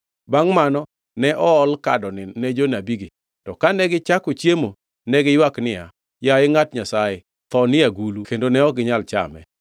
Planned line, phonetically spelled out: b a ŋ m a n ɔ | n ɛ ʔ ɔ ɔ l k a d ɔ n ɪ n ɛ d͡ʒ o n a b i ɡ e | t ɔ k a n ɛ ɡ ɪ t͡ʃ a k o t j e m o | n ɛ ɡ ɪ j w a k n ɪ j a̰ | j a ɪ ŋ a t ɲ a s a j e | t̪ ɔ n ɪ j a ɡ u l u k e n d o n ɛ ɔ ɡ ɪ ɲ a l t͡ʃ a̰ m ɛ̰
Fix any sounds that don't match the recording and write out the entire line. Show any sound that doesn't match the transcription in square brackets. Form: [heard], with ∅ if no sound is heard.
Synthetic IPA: b a ŋ m a n ɔ | n ɛ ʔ ɔ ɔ l k a d ɔ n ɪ n ɛ d͡ʒ o n a b i ɡ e | t ɔ k a n ɛ ɡ ɪ t͡ʃ a k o [t͡ʃ] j e m o | n ɛ ɡ ɪ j w a k n ɪ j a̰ | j a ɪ ŋ a t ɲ a s a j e | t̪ ɔ n ɪ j a ɡ u l u k e n d o n ɛ ɔ ɡ ɪ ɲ a l t͡ʃ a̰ m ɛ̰